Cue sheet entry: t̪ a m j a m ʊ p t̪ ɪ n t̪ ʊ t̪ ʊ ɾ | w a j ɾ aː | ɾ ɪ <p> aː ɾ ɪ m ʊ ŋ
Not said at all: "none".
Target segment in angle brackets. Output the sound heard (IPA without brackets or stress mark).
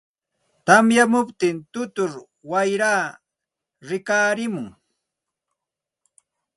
k